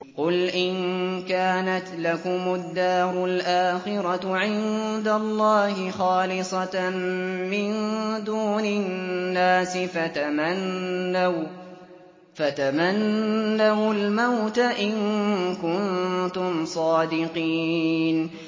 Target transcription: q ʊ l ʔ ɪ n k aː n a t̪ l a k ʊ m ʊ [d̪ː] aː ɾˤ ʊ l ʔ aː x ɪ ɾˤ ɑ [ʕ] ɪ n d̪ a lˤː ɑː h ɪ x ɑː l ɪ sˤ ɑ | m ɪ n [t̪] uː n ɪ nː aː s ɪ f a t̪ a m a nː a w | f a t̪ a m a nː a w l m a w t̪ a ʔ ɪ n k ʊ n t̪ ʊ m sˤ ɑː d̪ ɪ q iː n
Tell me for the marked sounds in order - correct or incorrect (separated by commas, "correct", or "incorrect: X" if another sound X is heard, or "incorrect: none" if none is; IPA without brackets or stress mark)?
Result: correct, correct, incorrect: d̪